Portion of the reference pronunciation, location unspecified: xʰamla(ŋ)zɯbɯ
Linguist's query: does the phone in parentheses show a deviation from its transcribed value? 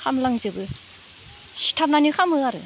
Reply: no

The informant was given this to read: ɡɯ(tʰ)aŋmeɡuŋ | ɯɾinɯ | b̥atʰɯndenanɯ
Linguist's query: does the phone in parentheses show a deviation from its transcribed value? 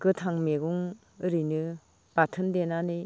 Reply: no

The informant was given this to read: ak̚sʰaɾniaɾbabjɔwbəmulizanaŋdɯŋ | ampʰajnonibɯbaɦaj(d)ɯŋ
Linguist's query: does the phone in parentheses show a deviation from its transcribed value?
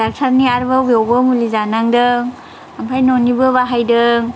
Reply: no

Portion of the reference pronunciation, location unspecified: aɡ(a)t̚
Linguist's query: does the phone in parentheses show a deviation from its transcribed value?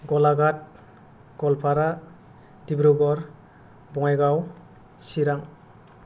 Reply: no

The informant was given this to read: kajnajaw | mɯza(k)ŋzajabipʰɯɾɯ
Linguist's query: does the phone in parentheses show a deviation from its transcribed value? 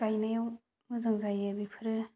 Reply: yes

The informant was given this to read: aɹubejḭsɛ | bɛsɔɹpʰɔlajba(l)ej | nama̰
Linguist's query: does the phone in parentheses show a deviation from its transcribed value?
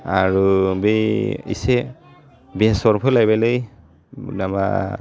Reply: no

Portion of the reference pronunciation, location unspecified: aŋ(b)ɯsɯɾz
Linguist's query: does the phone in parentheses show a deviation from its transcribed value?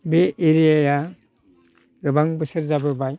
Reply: no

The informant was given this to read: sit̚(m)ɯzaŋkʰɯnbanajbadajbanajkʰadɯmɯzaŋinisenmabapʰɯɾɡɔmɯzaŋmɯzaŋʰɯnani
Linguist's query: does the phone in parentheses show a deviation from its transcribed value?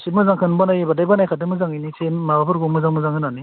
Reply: no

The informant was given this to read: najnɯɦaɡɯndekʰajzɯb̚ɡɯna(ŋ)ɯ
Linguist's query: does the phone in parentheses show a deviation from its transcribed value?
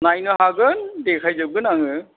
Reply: no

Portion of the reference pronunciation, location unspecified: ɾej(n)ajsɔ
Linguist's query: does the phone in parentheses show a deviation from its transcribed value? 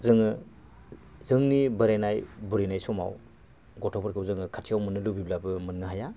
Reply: no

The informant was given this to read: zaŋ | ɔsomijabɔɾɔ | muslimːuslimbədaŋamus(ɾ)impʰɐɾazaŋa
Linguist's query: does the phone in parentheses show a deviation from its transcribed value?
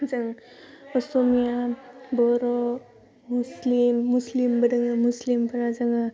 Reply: yes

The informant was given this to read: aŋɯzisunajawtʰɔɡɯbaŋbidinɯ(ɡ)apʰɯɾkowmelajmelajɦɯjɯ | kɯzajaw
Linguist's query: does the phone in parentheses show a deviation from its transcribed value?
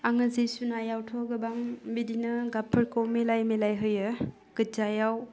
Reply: no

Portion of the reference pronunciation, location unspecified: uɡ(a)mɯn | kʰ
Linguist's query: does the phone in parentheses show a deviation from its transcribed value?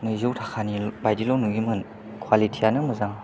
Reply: yes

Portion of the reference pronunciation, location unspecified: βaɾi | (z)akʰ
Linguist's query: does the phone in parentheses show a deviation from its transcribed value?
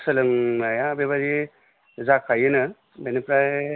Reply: no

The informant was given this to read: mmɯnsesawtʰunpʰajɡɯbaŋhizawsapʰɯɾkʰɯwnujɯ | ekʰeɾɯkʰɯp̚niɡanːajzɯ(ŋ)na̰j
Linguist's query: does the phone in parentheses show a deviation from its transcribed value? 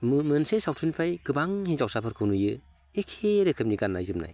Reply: yes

